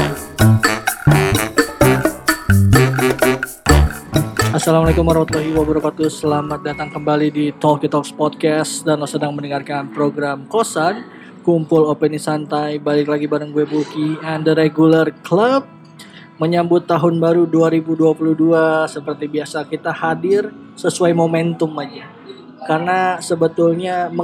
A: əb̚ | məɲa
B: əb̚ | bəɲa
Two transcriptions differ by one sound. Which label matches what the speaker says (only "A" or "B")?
A